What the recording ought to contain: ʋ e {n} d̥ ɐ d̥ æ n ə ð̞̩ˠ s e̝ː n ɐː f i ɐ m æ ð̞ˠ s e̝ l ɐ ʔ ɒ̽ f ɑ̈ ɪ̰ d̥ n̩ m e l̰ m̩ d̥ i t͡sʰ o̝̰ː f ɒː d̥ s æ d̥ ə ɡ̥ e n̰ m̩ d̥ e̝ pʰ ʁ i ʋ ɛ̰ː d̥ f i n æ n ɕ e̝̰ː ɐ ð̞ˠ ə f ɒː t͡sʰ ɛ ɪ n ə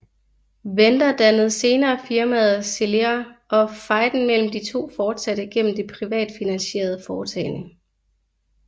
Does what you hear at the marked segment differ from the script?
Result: no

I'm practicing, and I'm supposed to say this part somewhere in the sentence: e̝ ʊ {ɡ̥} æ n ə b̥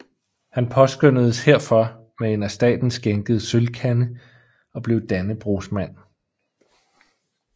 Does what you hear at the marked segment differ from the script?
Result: yes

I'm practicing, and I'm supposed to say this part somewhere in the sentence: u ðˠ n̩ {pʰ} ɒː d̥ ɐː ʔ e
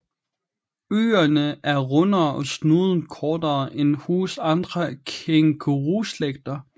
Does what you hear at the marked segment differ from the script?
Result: yes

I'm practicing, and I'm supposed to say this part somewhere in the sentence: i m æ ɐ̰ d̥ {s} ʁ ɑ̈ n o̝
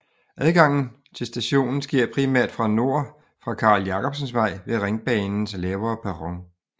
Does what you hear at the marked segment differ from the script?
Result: yes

